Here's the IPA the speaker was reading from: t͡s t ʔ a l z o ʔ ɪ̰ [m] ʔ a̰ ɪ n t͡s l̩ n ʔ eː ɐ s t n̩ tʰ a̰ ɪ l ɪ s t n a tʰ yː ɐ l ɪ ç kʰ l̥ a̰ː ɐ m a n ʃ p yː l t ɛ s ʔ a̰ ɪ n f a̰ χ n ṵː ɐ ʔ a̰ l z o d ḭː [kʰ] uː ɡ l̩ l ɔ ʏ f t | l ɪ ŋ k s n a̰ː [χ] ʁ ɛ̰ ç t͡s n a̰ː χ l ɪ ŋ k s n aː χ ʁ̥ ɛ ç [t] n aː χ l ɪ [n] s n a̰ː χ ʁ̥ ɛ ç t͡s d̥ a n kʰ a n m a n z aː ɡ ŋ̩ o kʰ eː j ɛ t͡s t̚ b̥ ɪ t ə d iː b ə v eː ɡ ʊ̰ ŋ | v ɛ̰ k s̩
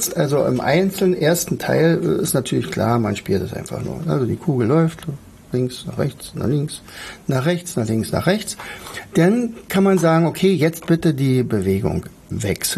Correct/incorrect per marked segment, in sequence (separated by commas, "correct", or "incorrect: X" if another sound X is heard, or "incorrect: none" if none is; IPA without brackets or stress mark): correct, correct, correct, incorrect: t͡s, incorrect: ŋ